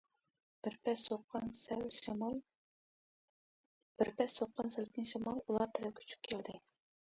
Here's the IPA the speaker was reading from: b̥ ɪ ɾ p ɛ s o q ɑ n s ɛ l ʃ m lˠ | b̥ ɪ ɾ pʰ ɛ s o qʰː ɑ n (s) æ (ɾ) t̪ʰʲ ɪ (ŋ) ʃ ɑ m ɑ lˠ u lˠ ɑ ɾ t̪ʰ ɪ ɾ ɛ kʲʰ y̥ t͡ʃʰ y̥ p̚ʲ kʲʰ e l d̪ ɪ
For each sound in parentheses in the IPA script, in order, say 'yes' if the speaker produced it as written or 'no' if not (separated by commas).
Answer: yes, no, no